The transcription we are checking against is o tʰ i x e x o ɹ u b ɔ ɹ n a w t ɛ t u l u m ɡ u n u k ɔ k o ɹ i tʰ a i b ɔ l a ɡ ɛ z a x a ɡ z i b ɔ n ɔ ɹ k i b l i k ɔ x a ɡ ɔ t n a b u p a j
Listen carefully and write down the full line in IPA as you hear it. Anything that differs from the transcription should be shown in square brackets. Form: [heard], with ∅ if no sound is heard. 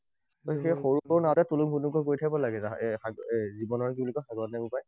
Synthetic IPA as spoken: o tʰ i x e x o ɹ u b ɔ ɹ n a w t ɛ t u l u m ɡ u n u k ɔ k o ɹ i tʰ a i b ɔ l a ɡ ɛ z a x a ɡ z i b ɔ n ɔ ɹ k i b l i k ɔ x a ɡ ɔ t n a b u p a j